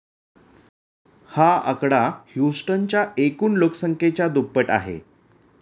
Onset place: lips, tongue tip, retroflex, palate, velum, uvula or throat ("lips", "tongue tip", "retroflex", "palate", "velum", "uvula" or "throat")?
throat